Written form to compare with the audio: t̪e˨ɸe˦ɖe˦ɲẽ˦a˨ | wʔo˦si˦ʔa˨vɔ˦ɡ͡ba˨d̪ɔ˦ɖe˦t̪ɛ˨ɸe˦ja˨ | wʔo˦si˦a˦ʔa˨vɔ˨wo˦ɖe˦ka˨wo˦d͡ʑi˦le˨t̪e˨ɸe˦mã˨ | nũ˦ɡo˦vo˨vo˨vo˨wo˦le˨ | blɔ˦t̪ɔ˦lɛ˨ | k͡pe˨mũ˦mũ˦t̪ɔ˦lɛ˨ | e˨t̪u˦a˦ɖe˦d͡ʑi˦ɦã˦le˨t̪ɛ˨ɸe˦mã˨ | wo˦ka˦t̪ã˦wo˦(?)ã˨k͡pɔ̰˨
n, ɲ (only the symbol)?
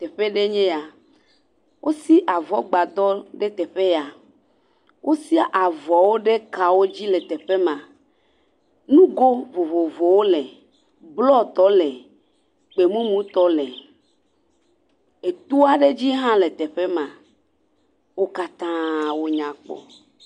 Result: ɲ